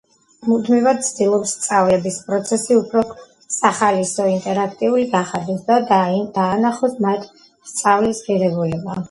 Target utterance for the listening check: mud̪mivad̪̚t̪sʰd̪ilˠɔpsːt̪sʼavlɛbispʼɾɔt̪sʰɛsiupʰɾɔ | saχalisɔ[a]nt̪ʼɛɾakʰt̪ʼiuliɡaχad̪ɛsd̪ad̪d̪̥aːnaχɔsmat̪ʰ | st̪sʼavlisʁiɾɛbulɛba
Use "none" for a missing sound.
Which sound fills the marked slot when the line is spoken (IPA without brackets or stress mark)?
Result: i